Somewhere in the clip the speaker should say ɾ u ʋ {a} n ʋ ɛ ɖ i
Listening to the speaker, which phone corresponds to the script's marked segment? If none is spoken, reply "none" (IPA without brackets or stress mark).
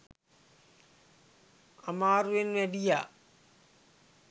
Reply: e